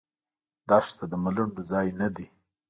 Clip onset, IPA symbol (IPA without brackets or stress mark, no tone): d̪